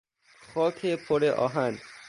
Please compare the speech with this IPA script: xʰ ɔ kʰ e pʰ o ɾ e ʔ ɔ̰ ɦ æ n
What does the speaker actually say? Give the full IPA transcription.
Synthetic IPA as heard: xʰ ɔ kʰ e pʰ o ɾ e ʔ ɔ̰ ɦ a n